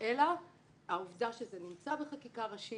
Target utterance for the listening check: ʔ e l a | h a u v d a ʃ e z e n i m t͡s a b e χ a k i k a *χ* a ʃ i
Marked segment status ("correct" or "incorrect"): incorrect